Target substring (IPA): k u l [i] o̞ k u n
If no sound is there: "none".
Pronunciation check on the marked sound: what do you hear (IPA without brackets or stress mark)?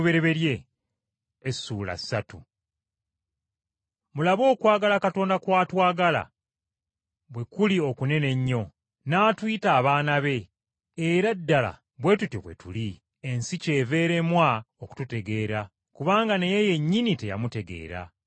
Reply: i